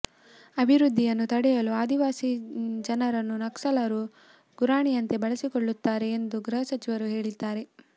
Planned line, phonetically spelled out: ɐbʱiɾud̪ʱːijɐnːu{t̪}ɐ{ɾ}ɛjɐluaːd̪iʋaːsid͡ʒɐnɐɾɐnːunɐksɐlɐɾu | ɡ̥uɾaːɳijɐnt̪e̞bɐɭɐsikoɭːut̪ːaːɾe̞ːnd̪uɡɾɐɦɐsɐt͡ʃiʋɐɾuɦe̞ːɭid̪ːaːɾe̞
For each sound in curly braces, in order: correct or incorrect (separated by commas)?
correct, incorrect